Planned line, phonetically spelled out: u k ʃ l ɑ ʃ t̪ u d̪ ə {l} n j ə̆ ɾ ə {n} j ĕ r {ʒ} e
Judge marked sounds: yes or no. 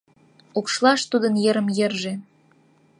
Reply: no, no, yes

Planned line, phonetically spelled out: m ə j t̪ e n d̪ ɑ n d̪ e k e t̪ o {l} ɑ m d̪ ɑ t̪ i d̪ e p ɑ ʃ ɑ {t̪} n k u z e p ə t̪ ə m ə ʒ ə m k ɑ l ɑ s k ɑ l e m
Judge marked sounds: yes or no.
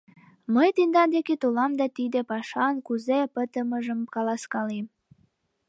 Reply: yes, no

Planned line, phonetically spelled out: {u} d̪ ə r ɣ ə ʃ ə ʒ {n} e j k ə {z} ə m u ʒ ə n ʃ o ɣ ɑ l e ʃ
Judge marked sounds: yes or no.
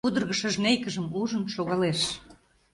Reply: yes, yes, no

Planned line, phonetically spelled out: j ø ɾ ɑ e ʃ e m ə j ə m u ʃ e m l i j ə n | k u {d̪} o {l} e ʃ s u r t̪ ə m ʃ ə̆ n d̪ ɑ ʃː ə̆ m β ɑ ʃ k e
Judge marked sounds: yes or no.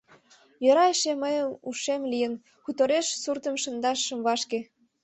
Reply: no, no

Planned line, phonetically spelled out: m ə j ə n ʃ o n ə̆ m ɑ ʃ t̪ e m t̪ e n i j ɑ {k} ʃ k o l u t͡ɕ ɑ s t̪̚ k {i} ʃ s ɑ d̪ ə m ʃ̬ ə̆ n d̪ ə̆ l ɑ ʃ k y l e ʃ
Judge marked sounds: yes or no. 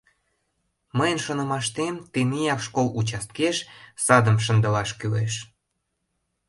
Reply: yes, no

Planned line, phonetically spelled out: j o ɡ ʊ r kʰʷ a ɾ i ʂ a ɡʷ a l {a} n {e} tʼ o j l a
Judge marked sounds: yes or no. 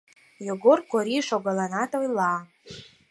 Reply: yes, no

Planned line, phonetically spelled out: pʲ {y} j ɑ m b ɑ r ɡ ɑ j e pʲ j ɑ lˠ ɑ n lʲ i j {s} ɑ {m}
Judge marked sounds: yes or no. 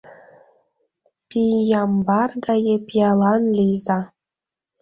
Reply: no, no, no

